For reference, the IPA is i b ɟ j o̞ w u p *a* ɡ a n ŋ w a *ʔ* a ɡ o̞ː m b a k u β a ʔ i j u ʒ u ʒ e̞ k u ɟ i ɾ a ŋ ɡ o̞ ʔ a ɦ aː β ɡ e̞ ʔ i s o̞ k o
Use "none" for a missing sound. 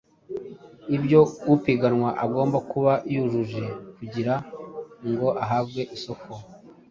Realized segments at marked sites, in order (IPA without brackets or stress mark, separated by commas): i, ʔ